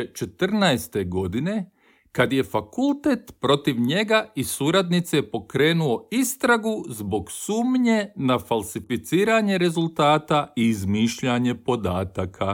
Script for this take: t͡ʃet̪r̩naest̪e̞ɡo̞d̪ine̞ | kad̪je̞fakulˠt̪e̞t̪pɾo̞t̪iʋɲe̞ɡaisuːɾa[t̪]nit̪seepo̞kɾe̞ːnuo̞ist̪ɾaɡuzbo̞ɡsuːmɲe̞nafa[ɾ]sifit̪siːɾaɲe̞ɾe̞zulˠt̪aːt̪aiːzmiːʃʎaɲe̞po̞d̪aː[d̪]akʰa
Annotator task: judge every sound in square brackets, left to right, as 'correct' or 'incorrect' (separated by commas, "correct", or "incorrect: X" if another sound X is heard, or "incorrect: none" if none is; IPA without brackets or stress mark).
incorrect: d̪, incorrect: l, incorrect: t̪